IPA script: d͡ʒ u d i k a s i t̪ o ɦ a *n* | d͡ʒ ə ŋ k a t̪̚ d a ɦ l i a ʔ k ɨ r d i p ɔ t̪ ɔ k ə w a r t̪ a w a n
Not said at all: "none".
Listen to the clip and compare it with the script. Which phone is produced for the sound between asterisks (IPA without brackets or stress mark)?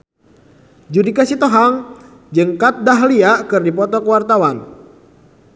ŋ